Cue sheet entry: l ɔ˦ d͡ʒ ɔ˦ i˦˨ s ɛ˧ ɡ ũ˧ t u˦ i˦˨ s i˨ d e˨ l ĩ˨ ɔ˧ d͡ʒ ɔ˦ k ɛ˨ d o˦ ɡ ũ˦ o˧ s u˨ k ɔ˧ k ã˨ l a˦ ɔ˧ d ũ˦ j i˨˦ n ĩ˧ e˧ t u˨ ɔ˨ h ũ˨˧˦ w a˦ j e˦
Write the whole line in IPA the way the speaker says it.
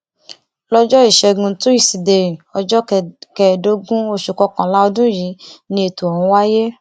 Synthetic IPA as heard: l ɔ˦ d͡ʒ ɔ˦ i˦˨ ʃ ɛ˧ ɡ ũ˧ t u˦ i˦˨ s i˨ d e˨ ɾ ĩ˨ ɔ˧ d͡ʒ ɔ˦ k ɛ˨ d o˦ ɡ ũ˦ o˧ ʃ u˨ k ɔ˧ k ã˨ l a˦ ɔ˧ d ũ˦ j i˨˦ n ĩ˧ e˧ t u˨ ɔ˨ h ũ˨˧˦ w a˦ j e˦